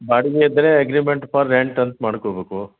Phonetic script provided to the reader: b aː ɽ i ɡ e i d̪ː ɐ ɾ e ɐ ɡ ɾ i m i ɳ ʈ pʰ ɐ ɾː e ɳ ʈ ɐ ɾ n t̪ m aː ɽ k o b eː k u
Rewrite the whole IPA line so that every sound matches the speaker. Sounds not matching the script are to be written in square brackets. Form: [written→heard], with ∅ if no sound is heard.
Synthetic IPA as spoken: b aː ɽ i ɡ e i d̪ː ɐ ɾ e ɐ ɡ ɾ i m [i→e] ɳ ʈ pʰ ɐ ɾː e ɳ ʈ ɐ [ɾ→∅] n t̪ m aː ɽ k o b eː k u